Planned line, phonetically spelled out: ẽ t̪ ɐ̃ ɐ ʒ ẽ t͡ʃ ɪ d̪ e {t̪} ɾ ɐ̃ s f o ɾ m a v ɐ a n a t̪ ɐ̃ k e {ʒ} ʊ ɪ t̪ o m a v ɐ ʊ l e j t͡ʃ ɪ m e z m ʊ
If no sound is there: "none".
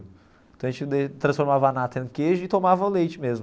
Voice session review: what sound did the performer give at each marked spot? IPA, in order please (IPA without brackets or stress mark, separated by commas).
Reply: t̪, ʒ